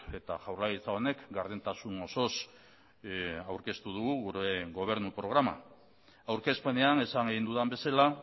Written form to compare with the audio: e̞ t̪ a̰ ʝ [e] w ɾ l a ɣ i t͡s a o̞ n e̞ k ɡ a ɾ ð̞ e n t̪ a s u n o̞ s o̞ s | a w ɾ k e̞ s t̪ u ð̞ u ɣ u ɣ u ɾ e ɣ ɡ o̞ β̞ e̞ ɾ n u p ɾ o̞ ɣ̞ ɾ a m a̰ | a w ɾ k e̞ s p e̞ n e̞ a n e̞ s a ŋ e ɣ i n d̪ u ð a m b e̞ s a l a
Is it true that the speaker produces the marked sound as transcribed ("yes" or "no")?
no